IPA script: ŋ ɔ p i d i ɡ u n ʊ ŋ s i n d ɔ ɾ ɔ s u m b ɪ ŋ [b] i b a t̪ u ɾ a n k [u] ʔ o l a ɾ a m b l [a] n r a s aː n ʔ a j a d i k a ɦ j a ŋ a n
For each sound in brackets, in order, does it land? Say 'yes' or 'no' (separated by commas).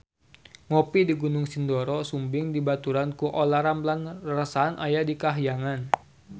no, yes, yes